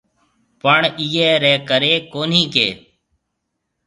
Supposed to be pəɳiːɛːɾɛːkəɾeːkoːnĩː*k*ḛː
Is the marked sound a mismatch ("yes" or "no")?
no